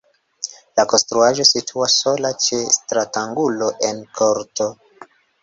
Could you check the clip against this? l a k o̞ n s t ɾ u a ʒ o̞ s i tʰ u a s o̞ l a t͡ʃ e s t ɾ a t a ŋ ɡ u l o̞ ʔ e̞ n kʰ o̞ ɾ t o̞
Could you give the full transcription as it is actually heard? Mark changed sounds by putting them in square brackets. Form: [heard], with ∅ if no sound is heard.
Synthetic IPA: l a k o̞ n s t ɾ u a ʒ o̞ s i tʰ u a s o̞ l a t͡ʃ e s t ɾ a t a ŋ ɡ u l o̞ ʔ e̞ n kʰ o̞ ɾ t o̞